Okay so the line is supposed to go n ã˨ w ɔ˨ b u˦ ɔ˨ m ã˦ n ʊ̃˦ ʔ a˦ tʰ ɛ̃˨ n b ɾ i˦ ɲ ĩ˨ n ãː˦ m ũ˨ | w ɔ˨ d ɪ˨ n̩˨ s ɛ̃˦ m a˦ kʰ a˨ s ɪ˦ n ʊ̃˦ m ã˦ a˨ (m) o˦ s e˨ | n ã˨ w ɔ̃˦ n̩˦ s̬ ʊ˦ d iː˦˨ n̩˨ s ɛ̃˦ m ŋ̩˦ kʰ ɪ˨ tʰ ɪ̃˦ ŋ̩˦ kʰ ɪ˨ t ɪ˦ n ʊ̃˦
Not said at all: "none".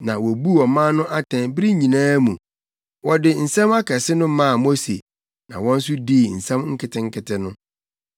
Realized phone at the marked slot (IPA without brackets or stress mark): m